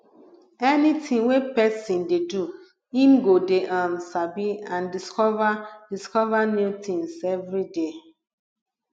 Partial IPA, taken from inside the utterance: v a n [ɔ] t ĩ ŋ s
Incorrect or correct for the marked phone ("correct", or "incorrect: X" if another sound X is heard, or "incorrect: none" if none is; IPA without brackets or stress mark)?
incorrect: u